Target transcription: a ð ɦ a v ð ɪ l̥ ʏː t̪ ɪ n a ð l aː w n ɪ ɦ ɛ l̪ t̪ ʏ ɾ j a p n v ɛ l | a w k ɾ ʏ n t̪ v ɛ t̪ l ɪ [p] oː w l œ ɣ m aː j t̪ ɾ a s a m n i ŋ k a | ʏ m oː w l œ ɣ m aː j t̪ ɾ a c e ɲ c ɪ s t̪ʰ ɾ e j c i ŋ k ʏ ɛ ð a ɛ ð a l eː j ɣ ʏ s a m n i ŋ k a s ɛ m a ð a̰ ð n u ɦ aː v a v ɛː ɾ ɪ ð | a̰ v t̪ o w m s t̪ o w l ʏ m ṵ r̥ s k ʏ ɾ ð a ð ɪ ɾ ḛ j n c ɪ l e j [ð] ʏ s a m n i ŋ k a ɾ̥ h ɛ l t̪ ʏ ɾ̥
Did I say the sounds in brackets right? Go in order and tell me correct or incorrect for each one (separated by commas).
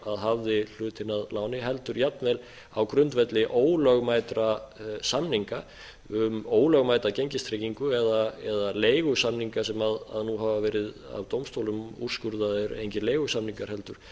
incorrect, incorrect